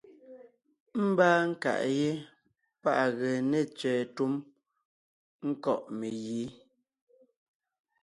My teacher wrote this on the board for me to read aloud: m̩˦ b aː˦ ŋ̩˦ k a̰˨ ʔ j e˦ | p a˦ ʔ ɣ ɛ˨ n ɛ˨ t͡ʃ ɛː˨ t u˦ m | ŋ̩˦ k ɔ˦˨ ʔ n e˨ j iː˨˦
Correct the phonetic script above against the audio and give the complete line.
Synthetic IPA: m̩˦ b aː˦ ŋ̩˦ k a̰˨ ʔ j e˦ | p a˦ ʔ ɣ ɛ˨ n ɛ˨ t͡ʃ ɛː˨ t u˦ m | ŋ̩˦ k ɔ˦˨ ʔ m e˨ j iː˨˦